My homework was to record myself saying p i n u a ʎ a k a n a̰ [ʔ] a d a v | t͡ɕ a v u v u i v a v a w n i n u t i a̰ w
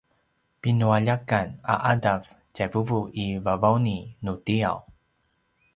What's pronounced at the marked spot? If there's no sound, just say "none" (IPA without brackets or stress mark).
ʔ